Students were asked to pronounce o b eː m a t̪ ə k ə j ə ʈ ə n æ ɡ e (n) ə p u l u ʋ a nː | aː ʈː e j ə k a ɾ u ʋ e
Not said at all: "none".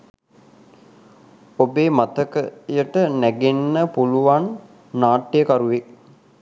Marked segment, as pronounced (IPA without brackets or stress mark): nː